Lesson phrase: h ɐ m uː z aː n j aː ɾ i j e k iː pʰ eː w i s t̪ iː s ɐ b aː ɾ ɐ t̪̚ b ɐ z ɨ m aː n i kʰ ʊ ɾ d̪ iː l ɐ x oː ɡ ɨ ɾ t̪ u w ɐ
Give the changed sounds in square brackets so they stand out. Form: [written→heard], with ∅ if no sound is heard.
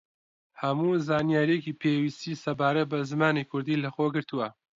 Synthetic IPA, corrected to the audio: h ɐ m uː z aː n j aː ɾ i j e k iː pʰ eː w i s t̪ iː s ɐ b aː ɾ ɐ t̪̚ b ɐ z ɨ m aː n i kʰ ʊ ɾ d̪ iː l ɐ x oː ɡ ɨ ɾ t̪ u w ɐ